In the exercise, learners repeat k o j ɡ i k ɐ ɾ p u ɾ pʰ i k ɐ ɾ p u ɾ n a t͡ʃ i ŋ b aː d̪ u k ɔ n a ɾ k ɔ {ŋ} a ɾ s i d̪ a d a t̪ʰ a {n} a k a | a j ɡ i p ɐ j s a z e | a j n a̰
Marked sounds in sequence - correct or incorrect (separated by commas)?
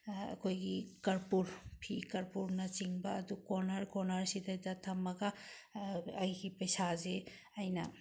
incorrect, incorrect